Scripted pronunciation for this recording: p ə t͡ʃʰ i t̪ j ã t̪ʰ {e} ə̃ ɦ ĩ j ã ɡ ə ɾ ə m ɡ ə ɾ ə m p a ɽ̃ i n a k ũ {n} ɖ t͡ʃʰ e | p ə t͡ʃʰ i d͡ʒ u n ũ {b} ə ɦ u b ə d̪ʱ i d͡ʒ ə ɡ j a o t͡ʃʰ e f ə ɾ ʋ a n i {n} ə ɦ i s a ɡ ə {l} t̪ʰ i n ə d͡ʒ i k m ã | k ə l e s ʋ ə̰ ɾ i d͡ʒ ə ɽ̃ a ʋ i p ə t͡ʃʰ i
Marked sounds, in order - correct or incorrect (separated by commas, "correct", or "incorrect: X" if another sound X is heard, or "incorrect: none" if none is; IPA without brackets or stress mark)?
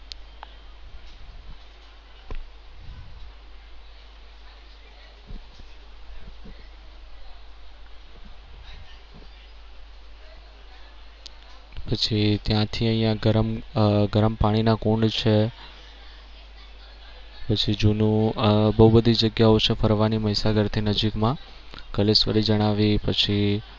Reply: incorrect: i, incorrect: ɳ, correct, incorrect: m, incorrect: ɾ